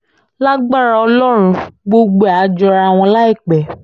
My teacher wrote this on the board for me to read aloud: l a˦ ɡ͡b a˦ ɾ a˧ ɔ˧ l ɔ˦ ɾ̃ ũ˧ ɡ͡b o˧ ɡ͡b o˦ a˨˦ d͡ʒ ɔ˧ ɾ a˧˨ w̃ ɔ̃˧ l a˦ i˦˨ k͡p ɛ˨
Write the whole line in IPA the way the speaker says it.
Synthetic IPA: l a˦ ɡ͡b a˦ ɾ a˧ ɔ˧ l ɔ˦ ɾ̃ ũ˧ ɡ͡b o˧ ɡ͡b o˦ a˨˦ d͡ʒ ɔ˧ ɾ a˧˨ w̃ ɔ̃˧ l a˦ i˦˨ k͡p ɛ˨